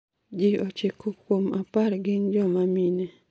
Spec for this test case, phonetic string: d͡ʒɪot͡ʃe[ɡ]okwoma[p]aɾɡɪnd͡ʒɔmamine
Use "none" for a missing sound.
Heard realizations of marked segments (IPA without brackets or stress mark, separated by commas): k, p